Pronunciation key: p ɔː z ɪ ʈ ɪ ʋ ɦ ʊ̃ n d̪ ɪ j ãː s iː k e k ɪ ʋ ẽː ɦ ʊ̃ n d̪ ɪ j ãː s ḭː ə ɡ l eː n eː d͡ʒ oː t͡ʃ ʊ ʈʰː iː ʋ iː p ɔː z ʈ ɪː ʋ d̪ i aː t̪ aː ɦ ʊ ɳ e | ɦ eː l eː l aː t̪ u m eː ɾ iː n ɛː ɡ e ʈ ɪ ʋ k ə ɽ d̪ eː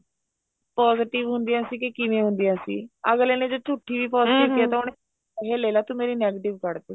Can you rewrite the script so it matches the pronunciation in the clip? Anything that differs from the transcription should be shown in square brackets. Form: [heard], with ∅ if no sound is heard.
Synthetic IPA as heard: p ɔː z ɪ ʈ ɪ ʋ ɦ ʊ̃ n d̪ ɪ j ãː s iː k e k ɪ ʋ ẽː ɦ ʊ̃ n d̪ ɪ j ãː s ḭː ə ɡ l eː n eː d͡ʒ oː t͡ʃ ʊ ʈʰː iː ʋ iː p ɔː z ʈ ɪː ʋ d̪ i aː t̪ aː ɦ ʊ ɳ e | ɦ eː l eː l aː t̪ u m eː ɾ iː n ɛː ɡ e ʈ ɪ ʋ k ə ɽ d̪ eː